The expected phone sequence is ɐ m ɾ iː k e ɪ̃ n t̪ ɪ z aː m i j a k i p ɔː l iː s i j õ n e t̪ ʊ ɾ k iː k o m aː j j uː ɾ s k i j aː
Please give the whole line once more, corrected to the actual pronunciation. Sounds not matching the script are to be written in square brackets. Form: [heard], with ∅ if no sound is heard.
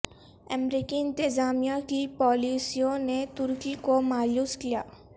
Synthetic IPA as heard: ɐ m ɾ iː k [i] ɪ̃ n t̪ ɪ z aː m i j a k i p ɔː l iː s i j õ n e t̪ ʊ ɾ k [i] k o m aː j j uː [∅] s k i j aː